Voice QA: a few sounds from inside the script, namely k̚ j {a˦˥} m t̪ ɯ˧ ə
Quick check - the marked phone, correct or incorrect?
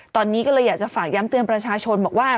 correct